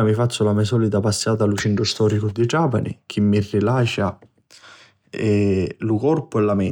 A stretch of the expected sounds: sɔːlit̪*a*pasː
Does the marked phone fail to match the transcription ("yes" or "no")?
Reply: no